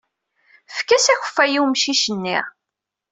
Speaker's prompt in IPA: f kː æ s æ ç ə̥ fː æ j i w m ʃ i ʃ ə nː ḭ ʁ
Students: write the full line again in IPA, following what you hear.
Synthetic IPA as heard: f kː æ s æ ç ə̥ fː æ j i w m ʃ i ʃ ə nː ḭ ʁ